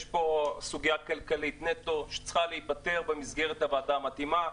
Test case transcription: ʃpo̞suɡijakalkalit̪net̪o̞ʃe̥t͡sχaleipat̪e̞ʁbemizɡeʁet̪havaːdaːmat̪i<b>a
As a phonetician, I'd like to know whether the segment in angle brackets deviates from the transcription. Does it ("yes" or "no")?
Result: yes